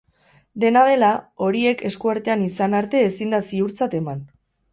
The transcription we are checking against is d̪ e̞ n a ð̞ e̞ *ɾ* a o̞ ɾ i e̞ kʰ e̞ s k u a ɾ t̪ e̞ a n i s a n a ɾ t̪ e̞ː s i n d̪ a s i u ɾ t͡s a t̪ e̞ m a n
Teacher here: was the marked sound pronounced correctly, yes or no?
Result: no